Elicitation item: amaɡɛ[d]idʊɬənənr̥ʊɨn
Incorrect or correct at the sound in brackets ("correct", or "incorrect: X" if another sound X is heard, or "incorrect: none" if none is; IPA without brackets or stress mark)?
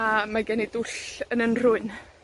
incorrect: n